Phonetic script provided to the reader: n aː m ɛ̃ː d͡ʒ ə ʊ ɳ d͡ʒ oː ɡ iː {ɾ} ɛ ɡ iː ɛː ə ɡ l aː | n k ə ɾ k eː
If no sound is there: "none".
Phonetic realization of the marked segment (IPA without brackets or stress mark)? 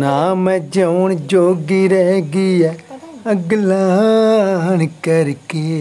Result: ɾ